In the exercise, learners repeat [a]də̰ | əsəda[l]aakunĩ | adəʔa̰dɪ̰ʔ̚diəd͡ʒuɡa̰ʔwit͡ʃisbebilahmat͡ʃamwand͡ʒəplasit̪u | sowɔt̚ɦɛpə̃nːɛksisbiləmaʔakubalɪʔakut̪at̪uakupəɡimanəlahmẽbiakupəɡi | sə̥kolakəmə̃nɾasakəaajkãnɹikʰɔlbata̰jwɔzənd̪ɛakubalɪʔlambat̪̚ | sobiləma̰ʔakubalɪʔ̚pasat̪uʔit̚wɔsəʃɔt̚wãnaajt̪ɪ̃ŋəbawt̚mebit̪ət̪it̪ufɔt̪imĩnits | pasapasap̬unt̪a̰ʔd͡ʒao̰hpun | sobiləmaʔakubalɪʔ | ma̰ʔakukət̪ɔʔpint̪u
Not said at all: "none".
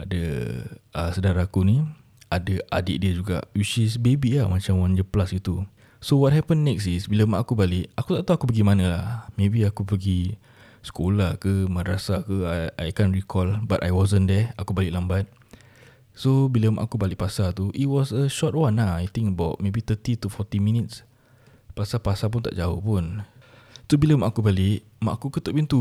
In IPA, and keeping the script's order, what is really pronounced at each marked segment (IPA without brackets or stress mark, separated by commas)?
a, ɾ